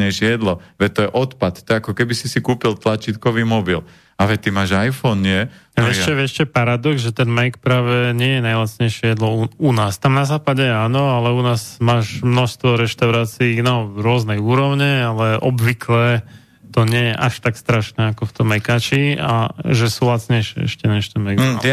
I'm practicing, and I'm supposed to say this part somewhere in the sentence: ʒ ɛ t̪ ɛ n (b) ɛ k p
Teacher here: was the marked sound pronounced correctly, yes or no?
no